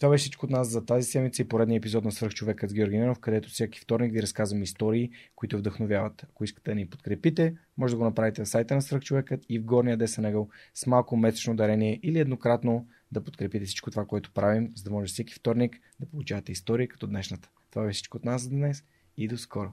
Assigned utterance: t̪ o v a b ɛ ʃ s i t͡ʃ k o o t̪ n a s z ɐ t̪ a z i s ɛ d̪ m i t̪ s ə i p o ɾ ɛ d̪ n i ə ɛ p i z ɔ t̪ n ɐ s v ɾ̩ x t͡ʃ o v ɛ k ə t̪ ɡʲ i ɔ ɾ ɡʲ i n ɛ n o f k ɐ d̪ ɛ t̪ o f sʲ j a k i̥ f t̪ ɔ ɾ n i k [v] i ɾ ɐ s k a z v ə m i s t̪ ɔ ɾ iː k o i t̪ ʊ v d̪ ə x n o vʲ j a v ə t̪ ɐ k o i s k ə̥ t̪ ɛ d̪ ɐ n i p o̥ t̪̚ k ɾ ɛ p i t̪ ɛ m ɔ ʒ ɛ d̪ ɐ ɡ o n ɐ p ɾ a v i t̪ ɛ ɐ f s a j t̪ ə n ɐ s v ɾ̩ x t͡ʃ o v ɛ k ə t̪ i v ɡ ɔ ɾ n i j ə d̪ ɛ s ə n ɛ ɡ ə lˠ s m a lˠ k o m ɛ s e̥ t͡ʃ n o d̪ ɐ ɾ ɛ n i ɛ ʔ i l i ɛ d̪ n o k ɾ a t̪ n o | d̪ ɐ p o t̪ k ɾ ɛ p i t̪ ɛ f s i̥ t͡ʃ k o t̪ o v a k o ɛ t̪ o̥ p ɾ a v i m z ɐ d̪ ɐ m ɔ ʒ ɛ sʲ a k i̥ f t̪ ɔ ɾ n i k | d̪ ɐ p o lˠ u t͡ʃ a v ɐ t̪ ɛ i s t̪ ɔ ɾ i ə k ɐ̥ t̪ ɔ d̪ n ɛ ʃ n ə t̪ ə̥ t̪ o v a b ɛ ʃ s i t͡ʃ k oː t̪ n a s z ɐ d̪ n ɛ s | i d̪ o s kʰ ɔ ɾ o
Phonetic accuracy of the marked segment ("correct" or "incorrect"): correct